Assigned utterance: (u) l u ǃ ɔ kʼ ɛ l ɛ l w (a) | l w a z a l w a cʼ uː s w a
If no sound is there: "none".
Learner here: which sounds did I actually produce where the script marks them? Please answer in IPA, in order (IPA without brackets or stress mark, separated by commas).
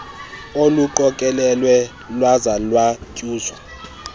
o, ɛ